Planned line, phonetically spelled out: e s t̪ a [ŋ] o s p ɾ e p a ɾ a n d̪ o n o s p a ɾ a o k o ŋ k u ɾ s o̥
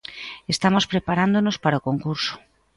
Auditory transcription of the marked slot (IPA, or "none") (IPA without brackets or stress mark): m